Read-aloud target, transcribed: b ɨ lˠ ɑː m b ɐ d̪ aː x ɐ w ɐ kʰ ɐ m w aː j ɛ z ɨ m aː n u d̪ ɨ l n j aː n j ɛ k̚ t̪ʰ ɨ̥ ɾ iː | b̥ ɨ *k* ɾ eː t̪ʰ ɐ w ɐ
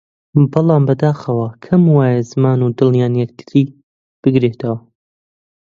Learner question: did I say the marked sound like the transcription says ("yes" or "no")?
no